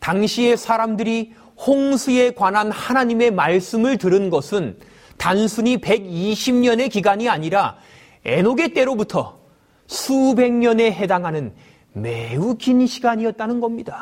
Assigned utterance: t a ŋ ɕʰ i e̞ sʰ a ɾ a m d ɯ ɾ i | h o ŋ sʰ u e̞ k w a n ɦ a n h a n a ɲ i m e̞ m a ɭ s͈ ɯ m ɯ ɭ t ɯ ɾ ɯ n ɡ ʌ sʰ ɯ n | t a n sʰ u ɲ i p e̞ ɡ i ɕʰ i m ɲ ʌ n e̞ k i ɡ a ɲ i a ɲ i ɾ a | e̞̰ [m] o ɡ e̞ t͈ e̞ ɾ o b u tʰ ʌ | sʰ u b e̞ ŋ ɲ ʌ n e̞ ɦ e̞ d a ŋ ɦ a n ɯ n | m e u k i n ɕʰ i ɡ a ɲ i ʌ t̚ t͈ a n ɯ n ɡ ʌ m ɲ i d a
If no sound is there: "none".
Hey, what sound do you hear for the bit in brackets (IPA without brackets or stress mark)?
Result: n